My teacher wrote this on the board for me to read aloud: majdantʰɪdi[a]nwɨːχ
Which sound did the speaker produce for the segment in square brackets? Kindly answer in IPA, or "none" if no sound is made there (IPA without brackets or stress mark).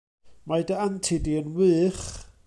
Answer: ə